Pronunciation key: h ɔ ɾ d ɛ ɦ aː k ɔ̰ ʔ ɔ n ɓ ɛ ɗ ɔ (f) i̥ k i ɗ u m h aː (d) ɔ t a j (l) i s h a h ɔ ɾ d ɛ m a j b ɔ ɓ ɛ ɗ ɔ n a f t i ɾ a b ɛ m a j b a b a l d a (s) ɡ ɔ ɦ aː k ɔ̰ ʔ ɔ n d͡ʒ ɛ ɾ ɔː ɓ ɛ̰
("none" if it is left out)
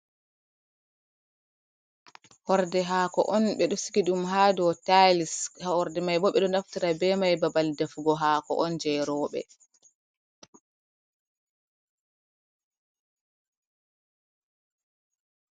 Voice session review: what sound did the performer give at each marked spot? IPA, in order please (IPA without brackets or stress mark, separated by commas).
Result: s, d, l, f